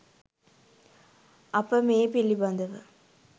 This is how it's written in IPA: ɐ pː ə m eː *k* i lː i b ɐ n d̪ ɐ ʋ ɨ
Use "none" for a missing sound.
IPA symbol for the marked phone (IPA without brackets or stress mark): p